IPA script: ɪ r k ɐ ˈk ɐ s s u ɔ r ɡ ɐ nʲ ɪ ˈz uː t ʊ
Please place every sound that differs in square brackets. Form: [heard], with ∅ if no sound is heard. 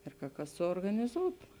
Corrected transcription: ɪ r k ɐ ˈk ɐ s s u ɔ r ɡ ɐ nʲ ɪ ˈz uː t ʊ